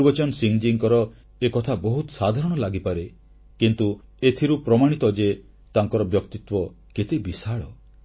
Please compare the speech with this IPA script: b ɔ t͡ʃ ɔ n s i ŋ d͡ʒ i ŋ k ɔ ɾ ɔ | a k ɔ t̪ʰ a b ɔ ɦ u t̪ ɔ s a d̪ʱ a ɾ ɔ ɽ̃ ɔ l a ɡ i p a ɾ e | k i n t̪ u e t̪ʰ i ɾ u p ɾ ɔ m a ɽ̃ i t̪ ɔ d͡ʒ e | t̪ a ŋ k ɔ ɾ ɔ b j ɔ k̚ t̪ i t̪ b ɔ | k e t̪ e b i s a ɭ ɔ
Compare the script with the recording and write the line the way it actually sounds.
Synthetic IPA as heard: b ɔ t͡ʃ ɔ n s i ŋ d͡ʒ i ŋ k ɔ ɾ ɔ | e k ɔ t̪ʰ a b ɔ ɦ u t̪ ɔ s a d̪ʱ a ɾ ɔ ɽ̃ ɔ l a ɡ i p a ɾ e | k i n t̪ u e t̪ʰ i ɾ u p ɾ ɔ m a ɽ̃ i t̪ ɔ d͡ʒ e | t̪ a ŋ k ɔ ɾ ɔ b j ɔ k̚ t̪ i t̪ w ɔ | k e t̪ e b i s a ɭ ɔ